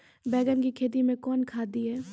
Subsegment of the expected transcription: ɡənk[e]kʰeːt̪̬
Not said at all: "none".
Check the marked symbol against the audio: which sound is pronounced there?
i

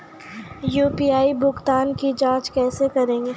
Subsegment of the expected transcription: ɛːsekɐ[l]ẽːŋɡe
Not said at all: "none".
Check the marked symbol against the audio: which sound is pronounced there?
ɾ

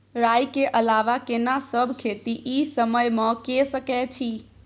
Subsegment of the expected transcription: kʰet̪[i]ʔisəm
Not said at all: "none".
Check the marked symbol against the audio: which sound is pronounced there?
i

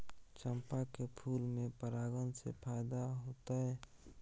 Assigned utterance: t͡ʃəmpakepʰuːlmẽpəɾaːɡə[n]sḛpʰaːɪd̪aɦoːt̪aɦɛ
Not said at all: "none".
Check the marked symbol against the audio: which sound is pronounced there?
n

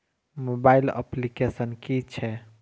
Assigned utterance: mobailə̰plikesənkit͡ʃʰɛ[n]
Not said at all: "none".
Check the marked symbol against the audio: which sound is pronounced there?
none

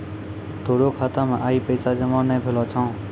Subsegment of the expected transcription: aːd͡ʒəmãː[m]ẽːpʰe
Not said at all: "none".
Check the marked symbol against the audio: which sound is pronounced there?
n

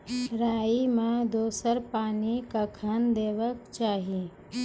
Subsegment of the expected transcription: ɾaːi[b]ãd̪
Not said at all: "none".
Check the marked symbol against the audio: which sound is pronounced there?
m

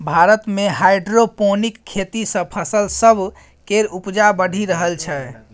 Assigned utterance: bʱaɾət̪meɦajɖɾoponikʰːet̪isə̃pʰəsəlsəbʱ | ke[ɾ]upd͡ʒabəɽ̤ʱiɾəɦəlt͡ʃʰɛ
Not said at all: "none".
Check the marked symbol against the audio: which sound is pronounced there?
ɾ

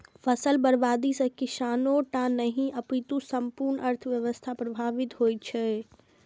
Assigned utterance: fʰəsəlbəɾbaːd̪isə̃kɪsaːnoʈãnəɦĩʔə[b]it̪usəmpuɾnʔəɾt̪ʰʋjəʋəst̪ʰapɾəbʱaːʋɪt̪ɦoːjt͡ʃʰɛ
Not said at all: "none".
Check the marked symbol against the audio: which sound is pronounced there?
p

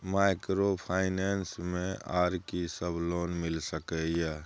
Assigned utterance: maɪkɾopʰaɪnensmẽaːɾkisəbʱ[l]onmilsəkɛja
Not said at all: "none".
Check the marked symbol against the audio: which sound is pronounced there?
l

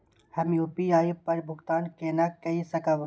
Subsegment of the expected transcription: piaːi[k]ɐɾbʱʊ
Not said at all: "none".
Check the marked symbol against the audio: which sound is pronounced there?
p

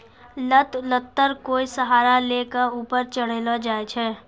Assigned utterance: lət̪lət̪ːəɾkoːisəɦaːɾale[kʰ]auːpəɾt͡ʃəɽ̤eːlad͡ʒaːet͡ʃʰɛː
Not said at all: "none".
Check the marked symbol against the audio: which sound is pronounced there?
k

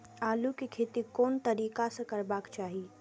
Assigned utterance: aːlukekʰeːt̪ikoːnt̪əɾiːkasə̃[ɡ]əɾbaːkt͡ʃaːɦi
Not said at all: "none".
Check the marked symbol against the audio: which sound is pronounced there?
k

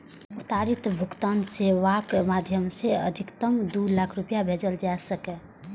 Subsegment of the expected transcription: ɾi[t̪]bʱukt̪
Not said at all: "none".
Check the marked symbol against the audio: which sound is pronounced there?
t̪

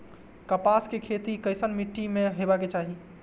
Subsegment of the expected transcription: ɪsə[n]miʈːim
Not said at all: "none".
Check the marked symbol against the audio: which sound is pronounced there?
n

